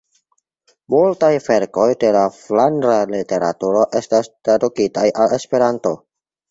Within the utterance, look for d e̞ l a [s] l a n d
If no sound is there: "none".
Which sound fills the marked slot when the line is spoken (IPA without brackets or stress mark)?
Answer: f